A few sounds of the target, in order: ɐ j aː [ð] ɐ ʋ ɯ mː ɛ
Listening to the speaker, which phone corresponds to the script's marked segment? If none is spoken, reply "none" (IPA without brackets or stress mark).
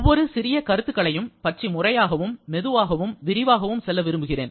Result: ɣ